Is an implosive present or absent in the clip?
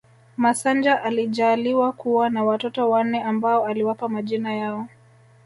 present